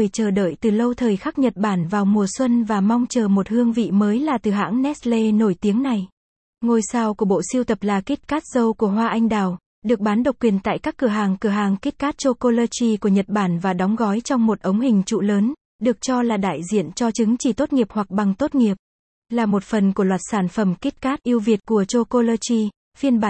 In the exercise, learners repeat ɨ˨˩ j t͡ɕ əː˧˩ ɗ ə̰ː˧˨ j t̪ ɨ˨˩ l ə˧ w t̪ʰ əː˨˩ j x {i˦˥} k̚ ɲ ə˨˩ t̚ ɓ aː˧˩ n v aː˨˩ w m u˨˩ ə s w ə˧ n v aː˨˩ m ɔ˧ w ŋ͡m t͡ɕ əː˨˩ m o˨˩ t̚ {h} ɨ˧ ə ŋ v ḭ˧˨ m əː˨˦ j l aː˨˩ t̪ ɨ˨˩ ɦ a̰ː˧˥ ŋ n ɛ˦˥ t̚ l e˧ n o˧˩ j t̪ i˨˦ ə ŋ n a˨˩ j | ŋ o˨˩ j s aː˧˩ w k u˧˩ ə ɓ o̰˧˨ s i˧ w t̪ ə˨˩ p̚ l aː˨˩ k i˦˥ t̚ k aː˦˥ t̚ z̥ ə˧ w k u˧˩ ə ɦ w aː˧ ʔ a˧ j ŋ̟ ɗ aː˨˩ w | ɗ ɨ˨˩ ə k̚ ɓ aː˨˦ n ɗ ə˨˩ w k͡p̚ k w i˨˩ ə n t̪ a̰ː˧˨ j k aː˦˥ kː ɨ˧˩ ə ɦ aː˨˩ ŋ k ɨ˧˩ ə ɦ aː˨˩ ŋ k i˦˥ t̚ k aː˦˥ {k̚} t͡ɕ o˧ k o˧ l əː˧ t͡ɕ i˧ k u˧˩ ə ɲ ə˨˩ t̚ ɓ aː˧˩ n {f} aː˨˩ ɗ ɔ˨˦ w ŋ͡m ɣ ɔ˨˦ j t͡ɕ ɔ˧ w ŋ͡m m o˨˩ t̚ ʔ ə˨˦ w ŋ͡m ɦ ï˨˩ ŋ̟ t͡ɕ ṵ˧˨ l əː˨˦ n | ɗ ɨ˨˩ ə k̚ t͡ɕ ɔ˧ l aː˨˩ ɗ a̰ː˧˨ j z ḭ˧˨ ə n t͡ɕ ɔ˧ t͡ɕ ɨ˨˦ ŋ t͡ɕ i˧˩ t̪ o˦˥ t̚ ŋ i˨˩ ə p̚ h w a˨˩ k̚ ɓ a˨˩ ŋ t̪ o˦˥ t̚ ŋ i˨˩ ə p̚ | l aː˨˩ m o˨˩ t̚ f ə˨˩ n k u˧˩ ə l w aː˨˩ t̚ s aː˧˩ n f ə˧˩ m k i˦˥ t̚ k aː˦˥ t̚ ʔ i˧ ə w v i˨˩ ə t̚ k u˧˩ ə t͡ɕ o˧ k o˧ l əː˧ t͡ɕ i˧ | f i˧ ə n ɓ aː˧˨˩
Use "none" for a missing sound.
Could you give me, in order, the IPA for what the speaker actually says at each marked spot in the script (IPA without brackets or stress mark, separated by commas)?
a˦˥, h, t̚, v